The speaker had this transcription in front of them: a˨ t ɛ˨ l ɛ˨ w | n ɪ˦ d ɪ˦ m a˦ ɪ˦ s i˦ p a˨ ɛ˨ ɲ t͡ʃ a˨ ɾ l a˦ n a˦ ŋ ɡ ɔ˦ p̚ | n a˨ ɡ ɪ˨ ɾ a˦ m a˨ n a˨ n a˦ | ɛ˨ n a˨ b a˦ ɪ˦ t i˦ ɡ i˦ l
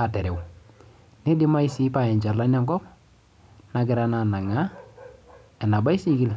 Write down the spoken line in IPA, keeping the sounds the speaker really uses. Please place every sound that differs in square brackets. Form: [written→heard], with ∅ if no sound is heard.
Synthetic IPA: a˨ t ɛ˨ [l→ɾ] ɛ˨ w | n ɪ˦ d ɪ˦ m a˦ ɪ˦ s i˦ p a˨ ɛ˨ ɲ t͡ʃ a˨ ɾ l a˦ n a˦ ŋ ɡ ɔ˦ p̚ | n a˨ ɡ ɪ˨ ɾ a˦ [m→n] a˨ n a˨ [n→ŋ] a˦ | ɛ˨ n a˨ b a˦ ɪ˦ [t→s] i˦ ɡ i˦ l